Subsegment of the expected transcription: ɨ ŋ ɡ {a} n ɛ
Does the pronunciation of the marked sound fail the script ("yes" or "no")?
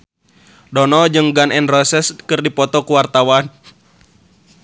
no